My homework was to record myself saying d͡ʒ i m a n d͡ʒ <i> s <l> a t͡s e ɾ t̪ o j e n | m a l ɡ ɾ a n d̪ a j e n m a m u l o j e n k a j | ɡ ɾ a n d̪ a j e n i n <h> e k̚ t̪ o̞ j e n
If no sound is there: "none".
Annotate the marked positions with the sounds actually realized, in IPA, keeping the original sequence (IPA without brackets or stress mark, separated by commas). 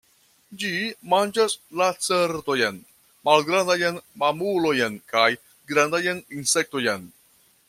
a, l, s